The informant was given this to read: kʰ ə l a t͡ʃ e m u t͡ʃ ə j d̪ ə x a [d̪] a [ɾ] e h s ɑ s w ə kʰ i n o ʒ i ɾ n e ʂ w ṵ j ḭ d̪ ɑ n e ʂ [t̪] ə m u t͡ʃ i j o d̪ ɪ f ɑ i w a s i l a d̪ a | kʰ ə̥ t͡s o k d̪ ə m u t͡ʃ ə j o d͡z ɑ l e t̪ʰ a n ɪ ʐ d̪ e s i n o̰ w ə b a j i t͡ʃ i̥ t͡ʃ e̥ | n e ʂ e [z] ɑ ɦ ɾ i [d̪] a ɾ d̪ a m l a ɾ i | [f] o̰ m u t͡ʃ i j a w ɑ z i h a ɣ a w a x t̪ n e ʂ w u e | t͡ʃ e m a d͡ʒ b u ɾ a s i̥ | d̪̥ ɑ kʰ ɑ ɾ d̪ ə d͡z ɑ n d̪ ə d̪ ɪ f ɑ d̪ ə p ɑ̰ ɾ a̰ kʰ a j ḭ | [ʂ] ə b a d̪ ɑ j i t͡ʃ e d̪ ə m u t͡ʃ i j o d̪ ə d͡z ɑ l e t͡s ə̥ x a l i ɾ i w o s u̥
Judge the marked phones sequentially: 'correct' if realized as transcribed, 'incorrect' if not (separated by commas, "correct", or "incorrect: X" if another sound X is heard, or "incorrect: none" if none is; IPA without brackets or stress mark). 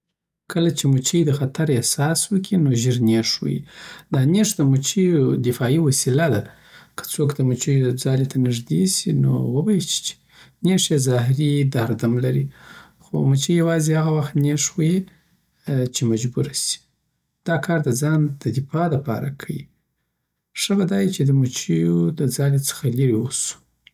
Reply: incorrect: t̪, correct, incorrect: d̪, correct, correct, incorrect: x, correct